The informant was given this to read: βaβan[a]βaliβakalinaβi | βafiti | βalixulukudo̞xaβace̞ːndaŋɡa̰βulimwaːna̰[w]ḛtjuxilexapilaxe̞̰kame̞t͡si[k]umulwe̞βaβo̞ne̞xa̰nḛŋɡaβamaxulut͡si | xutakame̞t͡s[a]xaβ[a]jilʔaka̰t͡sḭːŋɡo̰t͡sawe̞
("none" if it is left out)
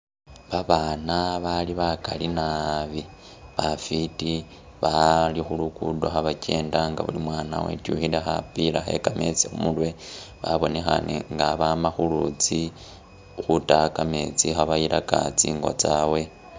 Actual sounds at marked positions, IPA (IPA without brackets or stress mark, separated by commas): a, w, x, i, a